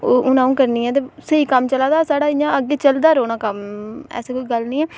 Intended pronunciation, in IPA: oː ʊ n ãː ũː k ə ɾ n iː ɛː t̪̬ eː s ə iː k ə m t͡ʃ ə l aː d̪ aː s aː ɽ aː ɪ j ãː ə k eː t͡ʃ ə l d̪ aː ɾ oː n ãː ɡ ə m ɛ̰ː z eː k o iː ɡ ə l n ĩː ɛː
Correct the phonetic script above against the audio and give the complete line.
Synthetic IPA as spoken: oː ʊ n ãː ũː k ə ɾ n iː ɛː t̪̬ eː s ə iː k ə m t͡ʃ ə l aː d̪ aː s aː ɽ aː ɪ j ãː ə ɡ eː t͡ʃ ə l d̪ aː ɾ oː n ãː k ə m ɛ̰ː s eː k o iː ɡ ə l n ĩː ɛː